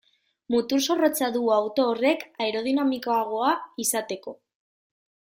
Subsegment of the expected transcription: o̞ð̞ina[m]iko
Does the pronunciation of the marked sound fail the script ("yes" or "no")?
no